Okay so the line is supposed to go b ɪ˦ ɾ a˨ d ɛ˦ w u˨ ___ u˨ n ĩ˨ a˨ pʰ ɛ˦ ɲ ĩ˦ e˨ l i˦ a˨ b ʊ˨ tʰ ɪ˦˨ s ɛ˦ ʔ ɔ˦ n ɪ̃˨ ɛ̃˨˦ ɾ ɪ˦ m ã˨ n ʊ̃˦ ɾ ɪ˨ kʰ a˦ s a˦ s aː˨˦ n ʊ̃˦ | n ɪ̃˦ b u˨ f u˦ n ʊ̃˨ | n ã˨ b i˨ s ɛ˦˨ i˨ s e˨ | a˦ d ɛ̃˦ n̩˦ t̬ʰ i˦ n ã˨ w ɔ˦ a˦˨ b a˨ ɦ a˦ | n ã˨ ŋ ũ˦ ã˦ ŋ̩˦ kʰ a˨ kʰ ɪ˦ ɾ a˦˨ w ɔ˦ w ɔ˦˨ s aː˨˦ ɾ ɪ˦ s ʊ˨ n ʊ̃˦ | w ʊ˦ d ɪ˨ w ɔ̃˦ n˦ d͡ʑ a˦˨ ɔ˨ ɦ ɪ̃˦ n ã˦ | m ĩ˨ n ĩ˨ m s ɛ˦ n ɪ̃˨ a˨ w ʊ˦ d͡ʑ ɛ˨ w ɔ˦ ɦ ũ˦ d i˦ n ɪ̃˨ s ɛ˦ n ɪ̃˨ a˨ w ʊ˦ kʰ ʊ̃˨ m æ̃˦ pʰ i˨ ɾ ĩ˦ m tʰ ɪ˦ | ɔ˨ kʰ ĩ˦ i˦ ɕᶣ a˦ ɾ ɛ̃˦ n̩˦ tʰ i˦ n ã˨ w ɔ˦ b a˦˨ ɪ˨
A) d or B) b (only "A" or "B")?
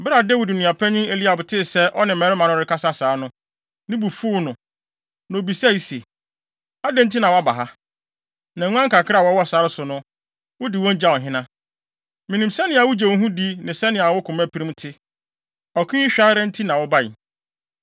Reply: A